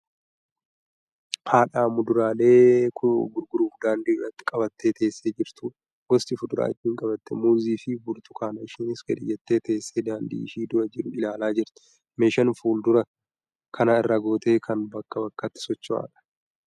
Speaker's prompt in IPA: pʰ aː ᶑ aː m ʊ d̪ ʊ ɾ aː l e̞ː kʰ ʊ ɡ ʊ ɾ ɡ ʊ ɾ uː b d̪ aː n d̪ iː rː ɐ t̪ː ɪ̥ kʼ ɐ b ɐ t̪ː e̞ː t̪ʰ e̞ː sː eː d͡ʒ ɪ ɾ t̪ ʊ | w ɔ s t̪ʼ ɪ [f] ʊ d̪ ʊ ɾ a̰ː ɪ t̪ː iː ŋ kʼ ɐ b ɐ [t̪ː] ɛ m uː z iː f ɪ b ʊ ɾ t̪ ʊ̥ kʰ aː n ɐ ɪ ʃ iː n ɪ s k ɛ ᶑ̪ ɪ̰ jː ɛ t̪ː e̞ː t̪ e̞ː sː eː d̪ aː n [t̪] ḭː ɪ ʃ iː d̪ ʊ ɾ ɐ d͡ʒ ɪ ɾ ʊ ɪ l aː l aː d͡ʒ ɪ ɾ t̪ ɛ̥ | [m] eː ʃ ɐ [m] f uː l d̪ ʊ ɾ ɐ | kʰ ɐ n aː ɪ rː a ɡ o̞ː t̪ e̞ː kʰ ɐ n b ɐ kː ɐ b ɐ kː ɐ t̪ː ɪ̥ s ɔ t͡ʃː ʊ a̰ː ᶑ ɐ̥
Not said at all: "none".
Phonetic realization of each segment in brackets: f, t̪ː, d̪, m, n

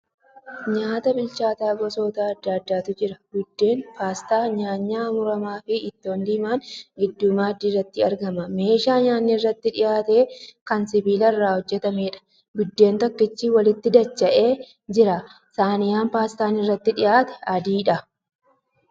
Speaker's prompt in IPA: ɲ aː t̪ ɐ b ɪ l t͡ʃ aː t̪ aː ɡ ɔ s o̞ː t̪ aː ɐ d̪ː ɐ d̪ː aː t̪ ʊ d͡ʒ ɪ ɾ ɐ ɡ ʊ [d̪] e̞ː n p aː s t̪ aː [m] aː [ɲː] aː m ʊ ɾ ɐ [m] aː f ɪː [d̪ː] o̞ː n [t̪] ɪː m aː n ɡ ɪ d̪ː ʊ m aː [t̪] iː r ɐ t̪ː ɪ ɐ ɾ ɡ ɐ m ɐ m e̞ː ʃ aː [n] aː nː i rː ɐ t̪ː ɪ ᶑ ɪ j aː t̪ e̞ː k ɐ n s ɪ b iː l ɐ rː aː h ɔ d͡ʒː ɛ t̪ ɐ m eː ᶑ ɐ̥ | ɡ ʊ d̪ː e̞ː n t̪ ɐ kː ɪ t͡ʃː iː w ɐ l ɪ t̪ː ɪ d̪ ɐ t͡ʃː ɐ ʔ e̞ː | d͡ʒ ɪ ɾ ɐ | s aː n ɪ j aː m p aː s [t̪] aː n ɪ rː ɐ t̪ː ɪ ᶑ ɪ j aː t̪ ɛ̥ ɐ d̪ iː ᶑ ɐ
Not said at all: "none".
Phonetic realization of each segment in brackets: d̪ː, ɲ, ɲː, m, t̪ː, d̪, d̪, ɲ, t̪

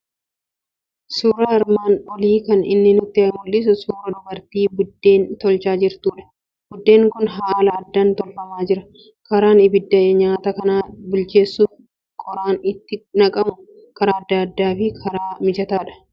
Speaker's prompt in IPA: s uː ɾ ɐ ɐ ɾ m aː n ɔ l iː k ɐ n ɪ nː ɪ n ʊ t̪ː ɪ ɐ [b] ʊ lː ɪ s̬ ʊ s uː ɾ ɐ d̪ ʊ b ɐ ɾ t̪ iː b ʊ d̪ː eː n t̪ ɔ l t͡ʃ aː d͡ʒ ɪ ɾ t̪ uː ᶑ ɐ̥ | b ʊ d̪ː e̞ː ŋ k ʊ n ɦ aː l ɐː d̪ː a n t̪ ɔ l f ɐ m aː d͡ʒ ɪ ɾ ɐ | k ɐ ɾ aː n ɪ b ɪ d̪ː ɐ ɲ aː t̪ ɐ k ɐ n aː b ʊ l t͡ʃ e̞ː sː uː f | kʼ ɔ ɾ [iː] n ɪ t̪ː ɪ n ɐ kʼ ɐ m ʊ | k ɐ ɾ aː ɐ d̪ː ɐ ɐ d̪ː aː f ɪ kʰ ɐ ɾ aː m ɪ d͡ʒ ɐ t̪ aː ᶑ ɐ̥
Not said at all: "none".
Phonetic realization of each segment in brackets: m, aː

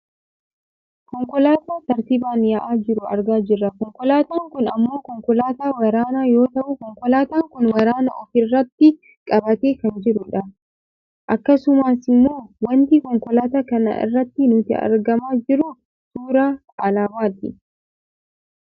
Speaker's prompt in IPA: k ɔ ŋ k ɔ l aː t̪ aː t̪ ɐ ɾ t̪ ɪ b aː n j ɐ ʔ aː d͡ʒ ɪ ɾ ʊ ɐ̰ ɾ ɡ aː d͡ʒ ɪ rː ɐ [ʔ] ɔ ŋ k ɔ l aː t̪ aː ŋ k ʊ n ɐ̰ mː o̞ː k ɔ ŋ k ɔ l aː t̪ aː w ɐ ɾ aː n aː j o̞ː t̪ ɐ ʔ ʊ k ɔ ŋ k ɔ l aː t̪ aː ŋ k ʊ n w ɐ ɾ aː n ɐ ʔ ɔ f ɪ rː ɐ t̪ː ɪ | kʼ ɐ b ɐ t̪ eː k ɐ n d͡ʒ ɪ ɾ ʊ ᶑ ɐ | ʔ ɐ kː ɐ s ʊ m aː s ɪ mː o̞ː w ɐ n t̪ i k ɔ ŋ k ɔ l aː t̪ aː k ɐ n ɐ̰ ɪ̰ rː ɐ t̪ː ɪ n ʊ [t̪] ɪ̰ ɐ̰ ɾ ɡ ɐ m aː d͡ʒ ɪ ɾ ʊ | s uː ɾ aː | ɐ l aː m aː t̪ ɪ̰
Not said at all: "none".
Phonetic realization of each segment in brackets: k, t̪

